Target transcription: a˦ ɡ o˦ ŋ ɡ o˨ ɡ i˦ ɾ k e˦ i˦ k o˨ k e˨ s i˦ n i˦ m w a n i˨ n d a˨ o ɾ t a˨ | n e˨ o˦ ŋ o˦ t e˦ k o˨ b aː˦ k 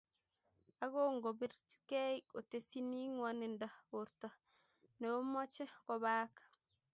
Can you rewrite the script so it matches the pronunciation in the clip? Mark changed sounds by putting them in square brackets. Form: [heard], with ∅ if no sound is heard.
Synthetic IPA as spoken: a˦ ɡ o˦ ŋ ɡ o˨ [b] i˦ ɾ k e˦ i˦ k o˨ [t] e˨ s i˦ n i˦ [ŋ] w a n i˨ n d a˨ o ɾ t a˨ | n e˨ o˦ [m] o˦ [t͡ʃ] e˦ k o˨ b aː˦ k